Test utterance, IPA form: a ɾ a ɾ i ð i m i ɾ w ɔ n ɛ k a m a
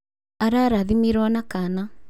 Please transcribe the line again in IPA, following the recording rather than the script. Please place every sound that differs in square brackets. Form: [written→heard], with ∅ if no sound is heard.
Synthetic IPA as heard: a ɾ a ɾ [i→a] ð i m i ɾ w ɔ n [ɛ→a] k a [m→n] a